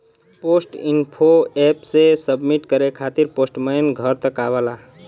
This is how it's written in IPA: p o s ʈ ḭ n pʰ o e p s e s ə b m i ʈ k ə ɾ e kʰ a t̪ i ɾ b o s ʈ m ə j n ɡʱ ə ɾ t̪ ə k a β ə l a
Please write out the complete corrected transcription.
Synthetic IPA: p o s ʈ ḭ n pʰ o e p s e s ə b m i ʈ k ə ɾ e kʰ a t̪ i ɾ p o s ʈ m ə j n ɡʱ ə ɾ t̪ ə k a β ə l a